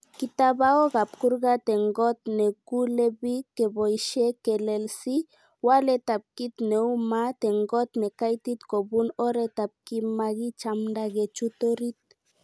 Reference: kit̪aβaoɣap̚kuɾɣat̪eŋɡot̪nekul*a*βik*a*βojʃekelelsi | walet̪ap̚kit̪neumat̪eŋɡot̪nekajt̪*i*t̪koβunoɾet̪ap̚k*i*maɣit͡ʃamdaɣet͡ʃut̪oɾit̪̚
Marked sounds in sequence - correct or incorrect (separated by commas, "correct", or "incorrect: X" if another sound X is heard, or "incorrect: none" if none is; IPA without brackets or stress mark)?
incorrect: e, incorrect: e, correct, correct